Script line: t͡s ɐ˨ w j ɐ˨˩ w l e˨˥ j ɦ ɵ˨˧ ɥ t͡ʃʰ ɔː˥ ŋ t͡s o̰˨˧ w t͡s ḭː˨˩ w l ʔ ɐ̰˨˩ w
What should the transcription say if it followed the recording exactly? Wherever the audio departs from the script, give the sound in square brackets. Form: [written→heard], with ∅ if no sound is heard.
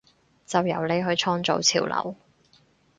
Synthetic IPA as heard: t͡s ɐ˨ w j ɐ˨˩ w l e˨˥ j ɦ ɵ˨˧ ɥ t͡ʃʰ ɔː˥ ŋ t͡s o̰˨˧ w [t͡s→t͡sʰ] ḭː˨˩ w l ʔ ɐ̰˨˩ w